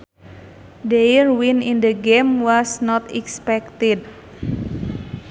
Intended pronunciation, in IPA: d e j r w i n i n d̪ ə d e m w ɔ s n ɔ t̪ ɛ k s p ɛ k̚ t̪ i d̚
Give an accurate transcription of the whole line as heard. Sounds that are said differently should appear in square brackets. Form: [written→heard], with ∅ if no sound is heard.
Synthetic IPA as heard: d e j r w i n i n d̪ ə [d→ɡ] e m w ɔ s n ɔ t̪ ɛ k s p ɛ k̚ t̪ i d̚